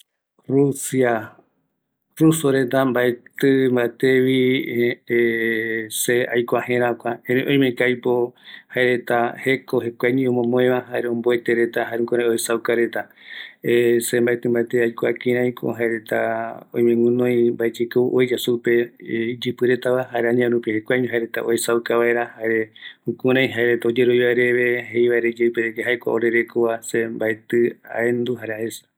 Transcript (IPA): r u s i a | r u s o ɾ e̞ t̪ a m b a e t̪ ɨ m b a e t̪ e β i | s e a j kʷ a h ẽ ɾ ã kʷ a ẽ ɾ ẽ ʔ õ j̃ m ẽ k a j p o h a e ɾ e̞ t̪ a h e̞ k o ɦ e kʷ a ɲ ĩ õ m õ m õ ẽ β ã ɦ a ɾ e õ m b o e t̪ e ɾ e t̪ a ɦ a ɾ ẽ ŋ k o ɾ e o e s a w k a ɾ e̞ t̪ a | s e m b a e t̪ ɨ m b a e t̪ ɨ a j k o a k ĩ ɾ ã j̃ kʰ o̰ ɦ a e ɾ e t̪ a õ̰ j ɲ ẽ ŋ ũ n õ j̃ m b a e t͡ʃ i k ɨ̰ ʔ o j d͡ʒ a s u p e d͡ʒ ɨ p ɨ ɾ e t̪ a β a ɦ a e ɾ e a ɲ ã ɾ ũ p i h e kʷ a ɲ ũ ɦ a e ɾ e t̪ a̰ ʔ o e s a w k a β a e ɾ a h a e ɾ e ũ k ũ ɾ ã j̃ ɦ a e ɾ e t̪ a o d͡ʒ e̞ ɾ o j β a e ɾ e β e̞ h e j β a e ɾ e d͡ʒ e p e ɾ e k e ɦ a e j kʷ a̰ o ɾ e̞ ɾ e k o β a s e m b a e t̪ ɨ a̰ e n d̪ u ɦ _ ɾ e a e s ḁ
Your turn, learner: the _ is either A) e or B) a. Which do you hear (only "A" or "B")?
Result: B